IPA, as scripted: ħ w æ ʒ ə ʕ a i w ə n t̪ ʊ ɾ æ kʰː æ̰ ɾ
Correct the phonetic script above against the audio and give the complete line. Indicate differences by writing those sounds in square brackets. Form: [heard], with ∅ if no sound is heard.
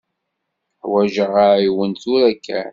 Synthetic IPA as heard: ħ w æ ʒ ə [ʁ] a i w ə n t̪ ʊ ɾ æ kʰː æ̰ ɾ